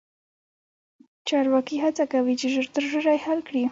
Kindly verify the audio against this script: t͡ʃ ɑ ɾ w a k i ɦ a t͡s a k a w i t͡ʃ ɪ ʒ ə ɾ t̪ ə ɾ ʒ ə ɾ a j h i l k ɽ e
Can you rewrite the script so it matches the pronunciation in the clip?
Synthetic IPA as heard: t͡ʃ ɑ ɾ w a k i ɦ a t͡s a k a w i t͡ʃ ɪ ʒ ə ɾ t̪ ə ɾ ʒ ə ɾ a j h a l k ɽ i

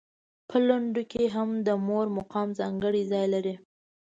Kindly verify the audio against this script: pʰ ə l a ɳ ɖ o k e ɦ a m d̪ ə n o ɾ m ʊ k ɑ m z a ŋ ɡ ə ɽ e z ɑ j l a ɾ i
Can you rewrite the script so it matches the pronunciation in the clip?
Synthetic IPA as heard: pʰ ə l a ɳ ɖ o k e ɦ a m d̪ ə m o ɾ m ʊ q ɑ m z ɑ ŋ ɡ ə ɽ i z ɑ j l a ɾ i

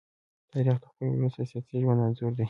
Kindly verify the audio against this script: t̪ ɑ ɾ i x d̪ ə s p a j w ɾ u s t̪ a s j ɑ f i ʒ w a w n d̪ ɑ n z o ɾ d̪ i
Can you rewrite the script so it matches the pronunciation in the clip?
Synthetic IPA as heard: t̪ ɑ ɾ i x d̪ ə x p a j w ɾ u s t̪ a s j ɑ s i ʒ w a n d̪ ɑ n z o ɾ d̪ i

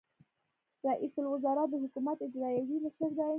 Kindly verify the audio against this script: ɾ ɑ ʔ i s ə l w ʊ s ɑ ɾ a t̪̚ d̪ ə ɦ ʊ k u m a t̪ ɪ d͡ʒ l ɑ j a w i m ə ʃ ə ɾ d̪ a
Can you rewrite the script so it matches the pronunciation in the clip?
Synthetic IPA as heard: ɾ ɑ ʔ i s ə l w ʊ z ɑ ɾ a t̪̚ d̪ ə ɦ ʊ k u m a t̪ ɪ d͡ʒ ɾ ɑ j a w i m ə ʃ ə ɾ d̪ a

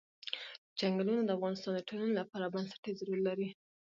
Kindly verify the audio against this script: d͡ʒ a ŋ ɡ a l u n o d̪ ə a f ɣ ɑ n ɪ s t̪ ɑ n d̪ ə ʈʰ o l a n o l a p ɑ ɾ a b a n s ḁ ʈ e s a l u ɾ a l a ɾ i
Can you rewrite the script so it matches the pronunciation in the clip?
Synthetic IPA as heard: d͡ʒ a ŋ ɡ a l u n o d̪ ə a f ɣ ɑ n ɪ s t̪ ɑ n d̪ ə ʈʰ o l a n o l a p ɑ ɾ a b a n s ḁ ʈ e z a ɾ u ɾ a l a ɾ i

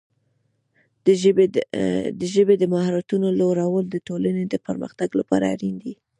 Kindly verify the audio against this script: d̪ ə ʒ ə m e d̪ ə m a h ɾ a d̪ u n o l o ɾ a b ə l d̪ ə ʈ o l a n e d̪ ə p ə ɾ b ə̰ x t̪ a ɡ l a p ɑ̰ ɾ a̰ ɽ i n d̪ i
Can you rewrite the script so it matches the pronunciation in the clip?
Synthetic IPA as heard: d̪ ə ʒ ə b e d̪ ə m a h ɾ a t̪ u n o l o ɾ a w ə l d̪ ə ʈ o l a n e d̪ ə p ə ɾ m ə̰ x t̪ a ɡ l a p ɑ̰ ɾ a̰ ɾ i n d̪ i

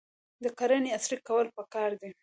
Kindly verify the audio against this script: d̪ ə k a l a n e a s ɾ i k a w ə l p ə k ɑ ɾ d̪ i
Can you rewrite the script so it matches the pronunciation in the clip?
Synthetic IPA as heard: d̪ ə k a ɾ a n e a s ɾ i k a w ə l p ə k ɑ ɾ d̪ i

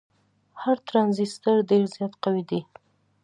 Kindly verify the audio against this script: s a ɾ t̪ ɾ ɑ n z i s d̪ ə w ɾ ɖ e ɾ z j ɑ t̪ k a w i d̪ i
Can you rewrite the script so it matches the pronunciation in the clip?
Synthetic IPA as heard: h a ɾ t̪ ɾ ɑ n z i s t̪ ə ɾ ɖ e ɾ z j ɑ t̪ q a w i d̪ i

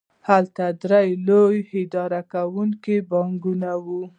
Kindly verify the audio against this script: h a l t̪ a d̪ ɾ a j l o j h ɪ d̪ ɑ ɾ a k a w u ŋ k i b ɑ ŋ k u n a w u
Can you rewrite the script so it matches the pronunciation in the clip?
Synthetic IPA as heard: h a l t̪ a d̪ ɾ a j l o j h ɪ d̪ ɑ ɾ a k a w u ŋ k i b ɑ ŋ ɡ u n a w u

